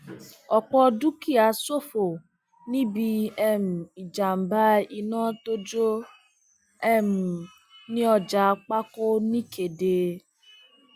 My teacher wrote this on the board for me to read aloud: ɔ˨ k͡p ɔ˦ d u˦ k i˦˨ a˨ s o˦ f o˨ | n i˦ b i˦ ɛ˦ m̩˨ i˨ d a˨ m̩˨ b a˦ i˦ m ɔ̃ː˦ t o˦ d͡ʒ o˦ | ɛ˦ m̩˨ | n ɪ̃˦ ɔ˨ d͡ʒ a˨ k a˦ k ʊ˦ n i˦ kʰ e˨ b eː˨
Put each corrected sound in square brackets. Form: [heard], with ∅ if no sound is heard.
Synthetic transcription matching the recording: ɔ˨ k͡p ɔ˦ d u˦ k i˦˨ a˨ s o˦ f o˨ | n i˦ b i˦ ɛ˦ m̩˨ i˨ [d͡ʒ] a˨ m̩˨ b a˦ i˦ [n] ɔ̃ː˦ t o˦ d͡ʒ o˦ | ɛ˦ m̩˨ | n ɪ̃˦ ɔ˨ d͡ʒ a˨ [k͡p] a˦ k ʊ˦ n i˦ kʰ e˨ [d] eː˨